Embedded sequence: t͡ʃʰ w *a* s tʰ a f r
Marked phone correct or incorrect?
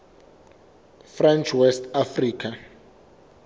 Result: incorrect: ɛ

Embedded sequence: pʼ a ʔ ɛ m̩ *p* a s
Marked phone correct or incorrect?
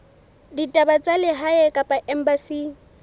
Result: incorrect: b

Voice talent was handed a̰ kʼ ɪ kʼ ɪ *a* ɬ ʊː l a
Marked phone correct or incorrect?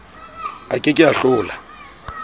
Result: correct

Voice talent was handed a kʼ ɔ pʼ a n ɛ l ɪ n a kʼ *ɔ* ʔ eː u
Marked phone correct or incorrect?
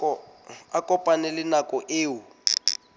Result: correct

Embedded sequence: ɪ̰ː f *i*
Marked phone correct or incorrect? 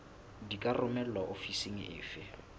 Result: incorrect: ɪ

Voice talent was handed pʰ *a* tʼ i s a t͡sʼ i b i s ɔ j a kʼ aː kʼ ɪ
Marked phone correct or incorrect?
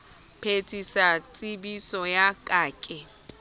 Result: incorrect: e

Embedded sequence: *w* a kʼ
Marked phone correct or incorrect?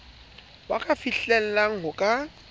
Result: correct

